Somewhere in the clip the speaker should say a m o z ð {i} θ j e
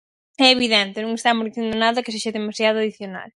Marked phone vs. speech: correct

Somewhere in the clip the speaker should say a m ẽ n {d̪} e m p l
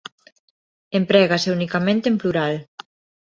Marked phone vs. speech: incorrect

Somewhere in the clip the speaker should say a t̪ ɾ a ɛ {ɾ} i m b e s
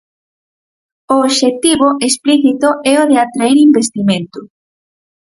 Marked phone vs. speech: correct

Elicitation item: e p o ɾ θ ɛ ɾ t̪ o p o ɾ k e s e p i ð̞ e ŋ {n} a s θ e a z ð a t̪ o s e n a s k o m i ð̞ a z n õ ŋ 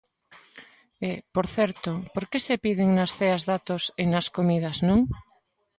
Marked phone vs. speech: correct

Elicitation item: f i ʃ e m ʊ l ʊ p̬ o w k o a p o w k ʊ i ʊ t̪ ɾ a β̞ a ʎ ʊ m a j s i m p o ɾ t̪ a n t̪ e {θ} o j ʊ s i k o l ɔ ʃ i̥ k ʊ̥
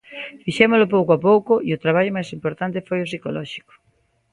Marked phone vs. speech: incorrect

